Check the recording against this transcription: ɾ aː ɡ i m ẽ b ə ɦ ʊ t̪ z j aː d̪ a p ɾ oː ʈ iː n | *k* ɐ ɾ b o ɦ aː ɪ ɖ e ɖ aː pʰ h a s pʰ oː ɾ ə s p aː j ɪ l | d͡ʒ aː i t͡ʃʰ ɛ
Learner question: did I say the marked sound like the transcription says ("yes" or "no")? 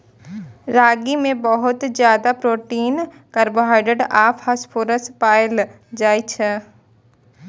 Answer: yes